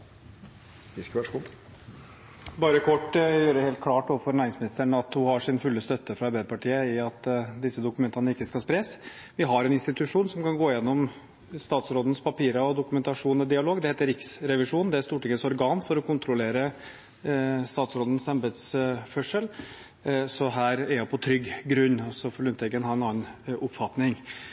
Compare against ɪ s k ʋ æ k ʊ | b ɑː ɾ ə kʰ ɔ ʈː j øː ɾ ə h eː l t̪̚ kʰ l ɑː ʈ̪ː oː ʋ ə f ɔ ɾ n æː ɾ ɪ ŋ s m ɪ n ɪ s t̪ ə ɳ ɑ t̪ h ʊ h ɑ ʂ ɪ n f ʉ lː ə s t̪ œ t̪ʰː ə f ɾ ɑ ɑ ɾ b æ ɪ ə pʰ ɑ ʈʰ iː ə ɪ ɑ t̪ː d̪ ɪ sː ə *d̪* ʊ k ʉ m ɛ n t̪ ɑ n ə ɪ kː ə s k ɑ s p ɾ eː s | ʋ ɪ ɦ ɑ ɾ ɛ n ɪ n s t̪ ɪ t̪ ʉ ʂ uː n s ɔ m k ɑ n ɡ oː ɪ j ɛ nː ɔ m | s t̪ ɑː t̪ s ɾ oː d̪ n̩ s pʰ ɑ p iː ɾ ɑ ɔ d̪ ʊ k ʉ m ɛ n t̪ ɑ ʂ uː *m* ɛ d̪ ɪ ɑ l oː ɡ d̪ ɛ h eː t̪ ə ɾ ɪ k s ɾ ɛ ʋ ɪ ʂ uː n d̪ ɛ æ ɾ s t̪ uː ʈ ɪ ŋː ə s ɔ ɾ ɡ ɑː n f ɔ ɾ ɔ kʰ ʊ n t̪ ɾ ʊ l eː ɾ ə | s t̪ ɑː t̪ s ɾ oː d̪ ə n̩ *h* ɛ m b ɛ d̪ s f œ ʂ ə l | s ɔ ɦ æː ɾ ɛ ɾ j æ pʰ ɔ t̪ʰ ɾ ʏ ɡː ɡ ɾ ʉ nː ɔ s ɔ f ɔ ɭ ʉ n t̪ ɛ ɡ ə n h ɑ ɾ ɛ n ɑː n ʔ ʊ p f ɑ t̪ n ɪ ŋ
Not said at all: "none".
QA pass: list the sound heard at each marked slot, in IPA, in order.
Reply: d̪, n, s

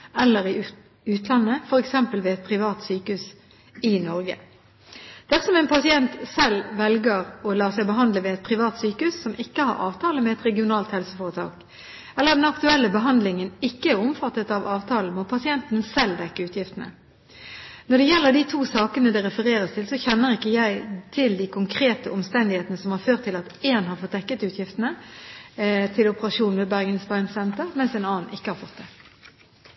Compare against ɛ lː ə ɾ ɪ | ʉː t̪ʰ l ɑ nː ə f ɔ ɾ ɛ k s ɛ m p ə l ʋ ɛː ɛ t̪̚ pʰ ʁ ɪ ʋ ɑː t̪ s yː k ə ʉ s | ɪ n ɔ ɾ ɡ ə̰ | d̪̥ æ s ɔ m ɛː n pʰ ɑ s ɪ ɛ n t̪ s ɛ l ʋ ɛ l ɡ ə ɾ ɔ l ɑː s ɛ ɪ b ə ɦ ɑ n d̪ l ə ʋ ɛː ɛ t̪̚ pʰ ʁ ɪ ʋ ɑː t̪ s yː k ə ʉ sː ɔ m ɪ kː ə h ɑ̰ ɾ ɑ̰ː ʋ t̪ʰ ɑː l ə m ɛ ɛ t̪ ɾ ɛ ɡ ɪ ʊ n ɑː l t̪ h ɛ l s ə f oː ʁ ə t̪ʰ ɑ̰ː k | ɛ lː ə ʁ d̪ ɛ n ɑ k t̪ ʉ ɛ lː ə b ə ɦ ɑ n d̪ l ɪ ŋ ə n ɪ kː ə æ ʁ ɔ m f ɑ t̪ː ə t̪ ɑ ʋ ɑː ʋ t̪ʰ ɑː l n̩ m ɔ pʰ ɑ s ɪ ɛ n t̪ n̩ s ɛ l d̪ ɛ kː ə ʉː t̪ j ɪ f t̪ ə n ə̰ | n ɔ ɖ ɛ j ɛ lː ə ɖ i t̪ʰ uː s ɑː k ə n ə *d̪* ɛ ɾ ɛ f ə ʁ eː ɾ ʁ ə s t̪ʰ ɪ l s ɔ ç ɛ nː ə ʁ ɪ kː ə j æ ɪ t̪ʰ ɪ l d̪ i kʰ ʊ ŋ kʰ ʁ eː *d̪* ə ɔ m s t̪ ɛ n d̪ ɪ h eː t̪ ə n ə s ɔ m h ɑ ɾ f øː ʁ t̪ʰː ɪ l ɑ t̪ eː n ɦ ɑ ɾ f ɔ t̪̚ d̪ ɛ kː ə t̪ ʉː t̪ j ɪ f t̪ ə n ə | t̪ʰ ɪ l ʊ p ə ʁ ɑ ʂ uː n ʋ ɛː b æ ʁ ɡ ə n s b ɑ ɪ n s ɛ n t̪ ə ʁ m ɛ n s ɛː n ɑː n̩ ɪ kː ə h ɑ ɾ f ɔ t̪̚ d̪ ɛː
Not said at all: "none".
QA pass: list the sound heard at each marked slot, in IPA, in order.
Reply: d̪, t̪

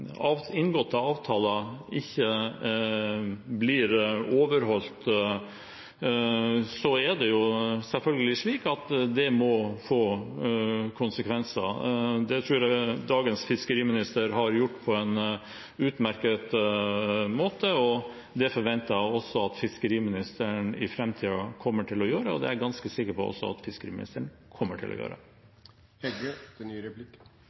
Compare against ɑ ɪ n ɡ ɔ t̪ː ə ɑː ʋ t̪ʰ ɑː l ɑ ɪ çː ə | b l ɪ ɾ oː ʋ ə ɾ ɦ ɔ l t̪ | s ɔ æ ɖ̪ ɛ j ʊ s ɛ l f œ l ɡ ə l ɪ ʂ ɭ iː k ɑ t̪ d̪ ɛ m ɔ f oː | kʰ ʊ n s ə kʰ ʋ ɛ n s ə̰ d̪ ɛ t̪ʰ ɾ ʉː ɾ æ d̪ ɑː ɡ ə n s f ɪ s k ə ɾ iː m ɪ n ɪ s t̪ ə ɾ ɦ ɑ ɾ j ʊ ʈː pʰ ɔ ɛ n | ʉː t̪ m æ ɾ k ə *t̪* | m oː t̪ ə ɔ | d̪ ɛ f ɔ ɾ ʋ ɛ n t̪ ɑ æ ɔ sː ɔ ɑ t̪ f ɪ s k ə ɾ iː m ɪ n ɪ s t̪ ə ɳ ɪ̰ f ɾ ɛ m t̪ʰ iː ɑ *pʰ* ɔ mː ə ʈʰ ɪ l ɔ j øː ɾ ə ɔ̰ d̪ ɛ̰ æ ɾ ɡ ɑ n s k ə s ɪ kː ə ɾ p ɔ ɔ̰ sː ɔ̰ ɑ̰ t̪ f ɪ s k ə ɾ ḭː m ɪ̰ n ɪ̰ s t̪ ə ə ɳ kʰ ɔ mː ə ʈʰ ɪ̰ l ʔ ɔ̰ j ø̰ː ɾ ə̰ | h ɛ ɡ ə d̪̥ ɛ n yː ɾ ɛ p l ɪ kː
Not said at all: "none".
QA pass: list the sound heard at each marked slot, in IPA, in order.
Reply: t̪, kʰ

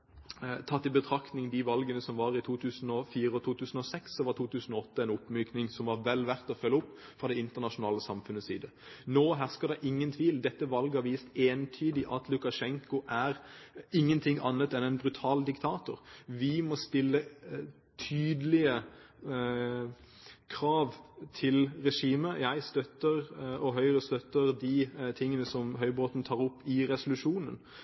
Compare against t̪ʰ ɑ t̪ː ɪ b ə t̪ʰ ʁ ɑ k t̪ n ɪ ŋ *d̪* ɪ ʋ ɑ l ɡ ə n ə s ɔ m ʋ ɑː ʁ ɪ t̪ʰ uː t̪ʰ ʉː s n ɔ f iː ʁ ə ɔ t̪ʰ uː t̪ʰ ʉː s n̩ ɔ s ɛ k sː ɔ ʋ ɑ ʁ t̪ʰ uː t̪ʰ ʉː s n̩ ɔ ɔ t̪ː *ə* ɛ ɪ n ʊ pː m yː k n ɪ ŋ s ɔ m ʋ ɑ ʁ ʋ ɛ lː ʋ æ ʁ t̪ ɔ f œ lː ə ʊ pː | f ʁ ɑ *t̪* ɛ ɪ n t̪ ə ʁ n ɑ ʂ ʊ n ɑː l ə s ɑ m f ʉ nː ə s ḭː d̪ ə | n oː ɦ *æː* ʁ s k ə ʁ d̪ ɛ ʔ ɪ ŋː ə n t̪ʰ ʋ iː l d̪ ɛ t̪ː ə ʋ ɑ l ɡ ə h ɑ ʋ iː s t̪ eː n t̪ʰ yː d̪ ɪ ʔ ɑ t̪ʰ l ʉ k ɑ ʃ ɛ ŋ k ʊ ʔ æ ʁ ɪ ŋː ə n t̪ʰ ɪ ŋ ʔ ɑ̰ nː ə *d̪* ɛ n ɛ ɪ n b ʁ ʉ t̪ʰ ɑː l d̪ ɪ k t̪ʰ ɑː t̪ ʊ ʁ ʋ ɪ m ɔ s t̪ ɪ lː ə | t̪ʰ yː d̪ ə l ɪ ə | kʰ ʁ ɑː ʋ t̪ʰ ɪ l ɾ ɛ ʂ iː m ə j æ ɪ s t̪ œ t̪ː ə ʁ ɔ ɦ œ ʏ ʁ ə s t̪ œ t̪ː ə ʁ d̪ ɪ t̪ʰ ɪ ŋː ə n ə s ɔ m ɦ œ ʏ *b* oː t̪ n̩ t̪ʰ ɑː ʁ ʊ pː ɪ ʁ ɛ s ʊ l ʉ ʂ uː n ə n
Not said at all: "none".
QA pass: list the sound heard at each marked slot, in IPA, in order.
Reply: d̪, ə, d̪, æ, t̪, b

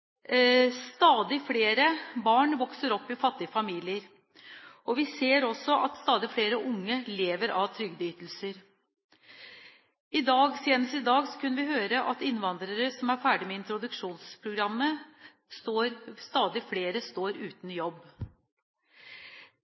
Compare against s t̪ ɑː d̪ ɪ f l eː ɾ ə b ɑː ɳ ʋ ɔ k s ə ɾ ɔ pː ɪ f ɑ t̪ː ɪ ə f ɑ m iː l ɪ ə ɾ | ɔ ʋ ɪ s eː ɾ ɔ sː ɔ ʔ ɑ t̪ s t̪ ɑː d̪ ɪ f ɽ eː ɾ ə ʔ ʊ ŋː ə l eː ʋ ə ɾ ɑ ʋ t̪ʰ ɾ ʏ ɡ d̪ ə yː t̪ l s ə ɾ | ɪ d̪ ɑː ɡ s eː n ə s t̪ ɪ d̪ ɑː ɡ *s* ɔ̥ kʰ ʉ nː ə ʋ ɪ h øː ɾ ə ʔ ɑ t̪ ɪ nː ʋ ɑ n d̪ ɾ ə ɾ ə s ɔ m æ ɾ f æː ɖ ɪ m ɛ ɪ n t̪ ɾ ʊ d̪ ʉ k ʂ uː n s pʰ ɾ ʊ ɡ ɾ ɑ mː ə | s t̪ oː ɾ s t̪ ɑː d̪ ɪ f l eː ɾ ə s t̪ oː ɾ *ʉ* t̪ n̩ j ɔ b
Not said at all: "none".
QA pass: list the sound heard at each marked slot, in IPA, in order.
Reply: s, ʉː

